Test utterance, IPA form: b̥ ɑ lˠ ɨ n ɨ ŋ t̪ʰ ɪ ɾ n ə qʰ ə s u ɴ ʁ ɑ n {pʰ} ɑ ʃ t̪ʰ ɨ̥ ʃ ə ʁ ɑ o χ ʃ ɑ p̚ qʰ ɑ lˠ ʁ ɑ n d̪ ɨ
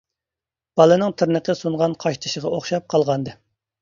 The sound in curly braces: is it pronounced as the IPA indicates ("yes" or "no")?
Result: no